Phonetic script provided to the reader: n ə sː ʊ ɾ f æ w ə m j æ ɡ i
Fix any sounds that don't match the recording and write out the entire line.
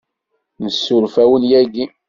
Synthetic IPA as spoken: n ə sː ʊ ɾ f æ w ə n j æ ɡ i